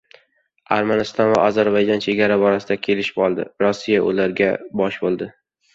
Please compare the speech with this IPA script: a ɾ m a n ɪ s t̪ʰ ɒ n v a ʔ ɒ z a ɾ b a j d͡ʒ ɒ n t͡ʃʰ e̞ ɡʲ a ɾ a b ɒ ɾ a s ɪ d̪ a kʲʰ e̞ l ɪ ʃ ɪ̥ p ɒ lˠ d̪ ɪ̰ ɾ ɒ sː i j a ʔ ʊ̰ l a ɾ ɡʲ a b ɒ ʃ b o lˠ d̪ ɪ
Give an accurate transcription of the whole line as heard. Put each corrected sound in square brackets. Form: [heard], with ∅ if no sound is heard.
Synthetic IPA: a ɾ m a n ɪ s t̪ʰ ɒ n v a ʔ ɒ z a ɾ b a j d͡ʒ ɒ n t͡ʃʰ e̞ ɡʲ a ɾ a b ɒ ɾ a s ɪ d̪ a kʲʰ e̞ l ɪ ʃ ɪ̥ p ɒ lˠ d̪ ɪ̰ ɾ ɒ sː i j a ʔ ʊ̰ l a ɾ ɡʲ a b ɒ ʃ b o lˠ d̪ ɪ